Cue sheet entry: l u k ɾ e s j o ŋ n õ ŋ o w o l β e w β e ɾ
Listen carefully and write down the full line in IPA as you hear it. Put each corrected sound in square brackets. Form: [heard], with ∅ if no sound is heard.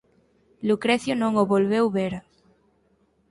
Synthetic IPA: l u k ɾ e [θ] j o [∅] n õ ŋ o [β] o l β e w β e ɾ